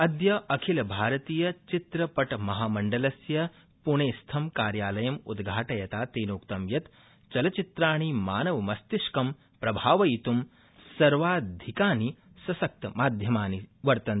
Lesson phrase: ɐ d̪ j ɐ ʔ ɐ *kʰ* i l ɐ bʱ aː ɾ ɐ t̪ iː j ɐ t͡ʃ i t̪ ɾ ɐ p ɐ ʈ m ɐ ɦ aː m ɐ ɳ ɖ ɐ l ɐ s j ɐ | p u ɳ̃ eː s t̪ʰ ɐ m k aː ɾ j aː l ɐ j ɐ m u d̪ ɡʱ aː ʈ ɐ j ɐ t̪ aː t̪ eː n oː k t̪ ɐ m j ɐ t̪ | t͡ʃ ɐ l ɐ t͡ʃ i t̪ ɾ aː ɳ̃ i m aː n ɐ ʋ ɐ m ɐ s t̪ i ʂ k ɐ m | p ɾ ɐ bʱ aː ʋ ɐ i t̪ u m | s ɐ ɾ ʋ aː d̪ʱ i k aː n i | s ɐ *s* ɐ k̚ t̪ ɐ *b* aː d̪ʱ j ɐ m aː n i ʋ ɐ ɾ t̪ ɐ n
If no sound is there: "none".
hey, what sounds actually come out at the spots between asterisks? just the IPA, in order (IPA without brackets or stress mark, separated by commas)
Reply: kʰ, s, m